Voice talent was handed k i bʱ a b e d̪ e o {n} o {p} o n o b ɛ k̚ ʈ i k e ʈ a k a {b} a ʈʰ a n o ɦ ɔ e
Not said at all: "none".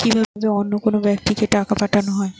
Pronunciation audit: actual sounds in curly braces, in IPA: nː, k, p

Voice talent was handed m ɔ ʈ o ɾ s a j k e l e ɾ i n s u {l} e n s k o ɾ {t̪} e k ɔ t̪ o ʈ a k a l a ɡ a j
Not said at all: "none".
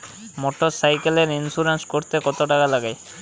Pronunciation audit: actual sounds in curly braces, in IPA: ɾ, t̪

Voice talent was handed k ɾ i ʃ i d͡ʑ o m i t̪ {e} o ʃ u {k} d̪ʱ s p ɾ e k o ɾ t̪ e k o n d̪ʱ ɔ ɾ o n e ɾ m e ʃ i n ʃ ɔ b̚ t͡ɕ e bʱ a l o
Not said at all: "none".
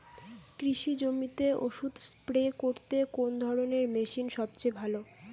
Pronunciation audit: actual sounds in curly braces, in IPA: e, none

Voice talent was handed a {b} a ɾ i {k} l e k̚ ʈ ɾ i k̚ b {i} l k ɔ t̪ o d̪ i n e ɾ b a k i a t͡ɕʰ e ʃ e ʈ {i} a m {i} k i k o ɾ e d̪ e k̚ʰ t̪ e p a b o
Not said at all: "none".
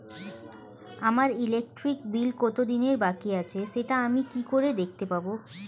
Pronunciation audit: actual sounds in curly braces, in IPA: m, none, i, a, i

